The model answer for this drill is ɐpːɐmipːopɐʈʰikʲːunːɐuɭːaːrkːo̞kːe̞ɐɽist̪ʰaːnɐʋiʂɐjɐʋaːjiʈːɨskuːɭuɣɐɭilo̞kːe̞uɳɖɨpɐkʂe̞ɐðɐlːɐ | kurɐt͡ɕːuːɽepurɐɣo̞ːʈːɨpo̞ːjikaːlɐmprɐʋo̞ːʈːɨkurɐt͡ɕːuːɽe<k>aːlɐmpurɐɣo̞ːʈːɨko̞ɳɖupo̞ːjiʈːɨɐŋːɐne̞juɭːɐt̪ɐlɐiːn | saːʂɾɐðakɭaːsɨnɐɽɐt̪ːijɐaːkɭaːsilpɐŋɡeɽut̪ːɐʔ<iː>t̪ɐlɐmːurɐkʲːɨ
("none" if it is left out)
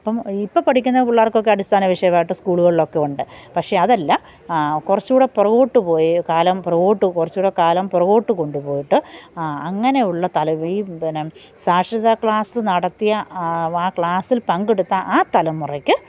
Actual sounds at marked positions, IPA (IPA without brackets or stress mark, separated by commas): k, aː